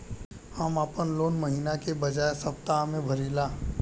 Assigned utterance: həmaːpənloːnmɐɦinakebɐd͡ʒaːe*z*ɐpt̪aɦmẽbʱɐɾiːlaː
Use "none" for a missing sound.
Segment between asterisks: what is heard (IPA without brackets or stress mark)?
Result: s